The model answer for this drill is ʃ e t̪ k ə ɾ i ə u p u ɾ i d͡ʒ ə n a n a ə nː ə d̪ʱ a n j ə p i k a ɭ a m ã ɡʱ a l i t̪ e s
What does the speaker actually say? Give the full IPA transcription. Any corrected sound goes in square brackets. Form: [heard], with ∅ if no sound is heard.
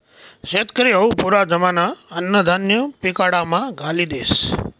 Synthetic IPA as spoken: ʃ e t̪ k ə ɾ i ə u p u ɾ [a] d͡ʒ ə [m] a n a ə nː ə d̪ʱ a n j ə p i k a [ɽ] a m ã ɡʱ a l i [d̪] e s